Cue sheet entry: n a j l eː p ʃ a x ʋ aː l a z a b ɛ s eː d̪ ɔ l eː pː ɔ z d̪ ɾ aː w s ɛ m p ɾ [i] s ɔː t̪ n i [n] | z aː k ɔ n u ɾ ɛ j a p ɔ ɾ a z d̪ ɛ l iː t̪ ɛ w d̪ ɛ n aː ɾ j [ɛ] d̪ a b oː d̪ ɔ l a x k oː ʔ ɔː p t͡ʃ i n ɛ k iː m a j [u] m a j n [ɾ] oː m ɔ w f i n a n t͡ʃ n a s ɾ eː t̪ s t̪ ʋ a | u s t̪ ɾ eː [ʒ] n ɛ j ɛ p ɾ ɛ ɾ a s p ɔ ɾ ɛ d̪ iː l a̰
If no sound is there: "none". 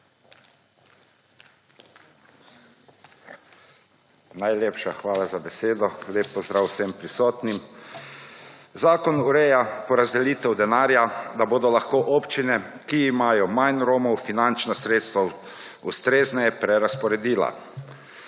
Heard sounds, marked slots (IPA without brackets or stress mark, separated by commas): i, m, a, ɔ, ɾ, z